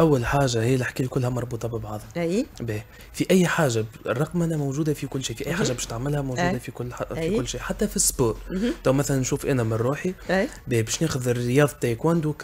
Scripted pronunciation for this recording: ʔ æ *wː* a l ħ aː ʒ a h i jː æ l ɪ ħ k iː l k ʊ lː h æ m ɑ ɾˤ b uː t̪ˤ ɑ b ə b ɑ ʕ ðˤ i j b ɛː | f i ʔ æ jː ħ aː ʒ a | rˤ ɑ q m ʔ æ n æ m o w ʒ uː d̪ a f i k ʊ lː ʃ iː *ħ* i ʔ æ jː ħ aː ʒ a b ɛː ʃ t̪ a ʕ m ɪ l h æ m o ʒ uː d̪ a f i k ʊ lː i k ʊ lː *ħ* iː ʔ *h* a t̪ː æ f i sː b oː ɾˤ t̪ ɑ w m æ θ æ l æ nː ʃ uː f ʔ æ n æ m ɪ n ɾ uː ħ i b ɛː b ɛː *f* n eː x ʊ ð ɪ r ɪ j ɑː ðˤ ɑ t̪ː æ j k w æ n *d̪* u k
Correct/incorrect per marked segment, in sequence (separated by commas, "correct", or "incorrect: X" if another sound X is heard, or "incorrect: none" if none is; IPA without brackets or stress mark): correct, incorrect: f, incorrect: ʃ, incorrect: ħ, incorrect: ʃ, correct